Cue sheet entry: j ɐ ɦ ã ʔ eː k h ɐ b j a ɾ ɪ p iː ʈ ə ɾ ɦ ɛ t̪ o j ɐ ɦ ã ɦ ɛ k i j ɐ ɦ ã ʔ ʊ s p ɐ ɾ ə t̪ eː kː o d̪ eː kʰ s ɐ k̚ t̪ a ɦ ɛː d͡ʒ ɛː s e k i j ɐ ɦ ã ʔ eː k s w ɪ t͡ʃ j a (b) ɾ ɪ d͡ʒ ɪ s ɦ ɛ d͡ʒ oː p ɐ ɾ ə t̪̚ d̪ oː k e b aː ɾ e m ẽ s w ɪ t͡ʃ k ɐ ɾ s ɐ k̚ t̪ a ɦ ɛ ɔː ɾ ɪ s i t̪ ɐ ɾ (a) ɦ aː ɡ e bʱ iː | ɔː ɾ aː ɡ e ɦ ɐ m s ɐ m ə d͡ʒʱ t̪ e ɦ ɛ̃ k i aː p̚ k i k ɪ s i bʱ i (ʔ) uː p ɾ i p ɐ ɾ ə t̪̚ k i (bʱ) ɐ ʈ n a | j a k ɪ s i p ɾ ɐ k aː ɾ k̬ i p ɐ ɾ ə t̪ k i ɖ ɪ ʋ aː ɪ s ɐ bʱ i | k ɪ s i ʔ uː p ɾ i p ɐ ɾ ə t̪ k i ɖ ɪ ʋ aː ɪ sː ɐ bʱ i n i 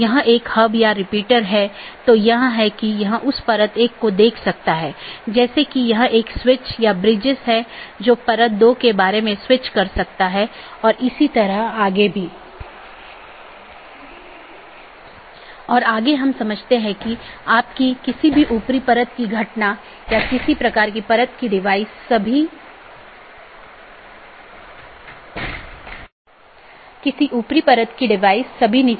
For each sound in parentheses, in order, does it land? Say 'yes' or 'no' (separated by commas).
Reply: yes, no, yes, no